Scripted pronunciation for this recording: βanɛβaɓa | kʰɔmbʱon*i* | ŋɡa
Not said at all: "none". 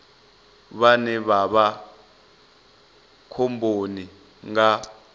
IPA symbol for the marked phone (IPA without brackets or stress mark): i